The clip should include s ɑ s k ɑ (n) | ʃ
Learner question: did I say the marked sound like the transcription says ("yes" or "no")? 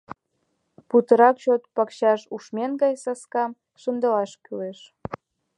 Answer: no